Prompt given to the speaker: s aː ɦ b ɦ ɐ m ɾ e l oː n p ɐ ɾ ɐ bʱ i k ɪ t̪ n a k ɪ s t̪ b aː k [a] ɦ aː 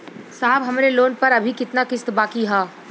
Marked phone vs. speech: incorrect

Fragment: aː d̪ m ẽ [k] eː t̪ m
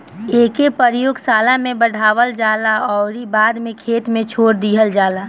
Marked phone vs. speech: incorrect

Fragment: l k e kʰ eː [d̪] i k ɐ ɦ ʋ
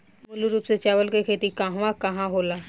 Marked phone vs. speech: incorrect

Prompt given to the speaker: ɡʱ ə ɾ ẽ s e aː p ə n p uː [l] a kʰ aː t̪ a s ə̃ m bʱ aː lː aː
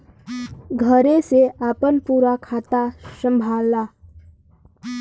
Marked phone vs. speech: incorrect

